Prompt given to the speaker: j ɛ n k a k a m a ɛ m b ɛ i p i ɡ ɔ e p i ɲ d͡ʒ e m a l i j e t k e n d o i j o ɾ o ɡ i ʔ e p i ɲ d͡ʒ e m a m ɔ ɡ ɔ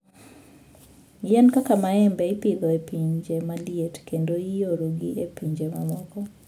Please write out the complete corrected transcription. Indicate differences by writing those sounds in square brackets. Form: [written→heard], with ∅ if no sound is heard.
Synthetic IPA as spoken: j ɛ n k a k a m a ɛ m b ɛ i p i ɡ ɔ e p i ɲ d͡ʒ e m a l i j e t k e n d o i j o ɾ o ɡ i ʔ e p i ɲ d͡ʒ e m a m ɔ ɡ ɔ